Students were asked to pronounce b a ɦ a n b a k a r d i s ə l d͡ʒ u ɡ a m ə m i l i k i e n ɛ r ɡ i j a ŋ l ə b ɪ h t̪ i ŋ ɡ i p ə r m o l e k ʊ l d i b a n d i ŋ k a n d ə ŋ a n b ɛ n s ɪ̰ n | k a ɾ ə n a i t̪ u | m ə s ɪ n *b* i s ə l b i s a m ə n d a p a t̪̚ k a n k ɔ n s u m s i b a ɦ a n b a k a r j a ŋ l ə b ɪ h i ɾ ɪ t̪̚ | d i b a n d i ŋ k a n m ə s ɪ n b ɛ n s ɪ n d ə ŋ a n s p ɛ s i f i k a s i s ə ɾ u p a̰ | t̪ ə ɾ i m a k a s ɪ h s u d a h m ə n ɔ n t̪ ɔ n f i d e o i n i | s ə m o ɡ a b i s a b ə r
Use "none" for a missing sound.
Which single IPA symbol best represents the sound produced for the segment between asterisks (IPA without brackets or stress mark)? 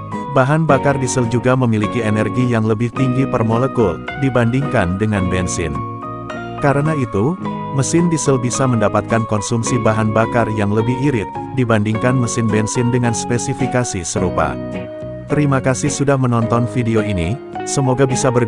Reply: d